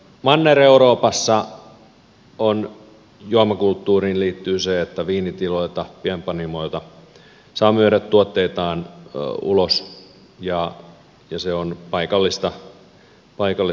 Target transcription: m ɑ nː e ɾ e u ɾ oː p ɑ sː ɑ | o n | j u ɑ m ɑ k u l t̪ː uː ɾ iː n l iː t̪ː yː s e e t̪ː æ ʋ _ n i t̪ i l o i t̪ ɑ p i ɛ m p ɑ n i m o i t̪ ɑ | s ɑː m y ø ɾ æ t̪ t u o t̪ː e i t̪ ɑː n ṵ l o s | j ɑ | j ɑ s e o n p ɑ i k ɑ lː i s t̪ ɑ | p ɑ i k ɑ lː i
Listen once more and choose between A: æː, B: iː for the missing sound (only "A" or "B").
B